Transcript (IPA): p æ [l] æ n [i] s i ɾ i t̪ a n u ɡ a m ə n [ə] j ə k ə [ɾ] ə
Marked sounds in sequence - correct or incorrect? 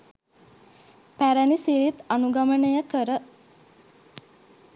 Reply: incorrect: ɾ, correct, correct, correct

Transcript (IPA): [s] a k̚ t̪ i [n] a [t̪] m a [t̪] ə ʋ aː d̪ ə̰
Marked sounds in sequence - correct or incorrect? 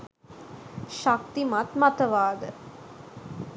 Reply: incorrect: ʃ, incorrect: m, correct, correct

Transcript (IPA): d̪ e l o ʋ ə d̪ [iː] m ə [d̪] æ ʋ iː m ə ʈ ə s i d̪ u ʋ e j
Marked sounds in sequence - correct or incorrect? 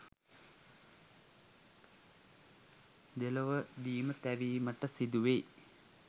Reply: correct, incorrect: t̪

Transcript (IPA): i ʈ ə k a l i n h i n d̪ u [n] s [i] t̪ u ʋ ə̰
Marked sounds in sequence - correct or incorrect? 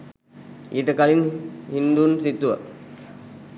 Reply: correct, correct

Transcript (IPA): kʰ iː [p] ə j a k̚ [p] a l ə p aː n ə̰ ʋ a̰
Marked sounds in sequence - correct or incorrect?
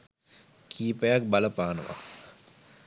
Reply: correct, incorrect: b

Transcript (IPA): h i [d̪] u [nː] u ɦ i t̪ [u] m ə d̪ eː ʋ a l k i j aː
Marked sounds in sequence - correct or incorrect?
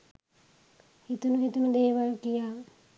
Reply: incorrect: t̪, incorrect: n, correct

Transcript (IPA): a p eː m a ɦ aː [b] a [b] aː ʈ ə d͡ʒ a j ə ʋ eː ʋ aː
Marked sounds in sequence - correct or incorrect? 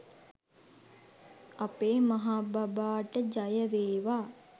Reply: correct, correct

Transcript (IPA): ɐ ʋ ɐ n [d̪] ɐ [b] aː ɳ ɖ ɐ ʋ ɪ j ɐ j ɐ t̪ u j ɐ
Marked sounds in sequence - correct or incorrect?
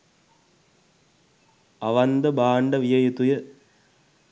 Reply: correct, correct

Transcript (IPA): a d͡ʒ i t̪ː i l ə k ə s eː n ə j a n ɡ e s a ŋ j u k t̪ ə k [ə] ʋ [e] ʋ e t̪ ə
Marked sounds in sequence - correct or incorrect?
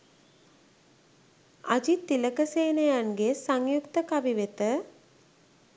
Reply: incorrect: a, incorrect: i

